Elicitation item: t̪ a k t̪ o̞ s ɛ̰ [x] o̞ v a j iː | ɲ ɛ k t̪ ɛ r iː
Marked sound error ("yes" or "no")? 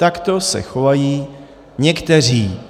no